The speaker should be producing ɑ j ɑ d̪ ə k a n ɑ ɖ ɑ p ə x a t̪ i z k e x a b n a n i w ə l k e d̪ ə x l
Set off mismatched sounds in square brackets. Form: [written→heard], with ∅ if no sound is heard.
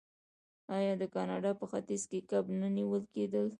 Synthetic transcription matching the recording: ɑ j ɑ d̪ ə k [a→ɑ] n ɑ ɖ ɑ p ə x a t̪ i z k e [x→k] a b n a n i w ə l k e d̪ ə [x→∅] l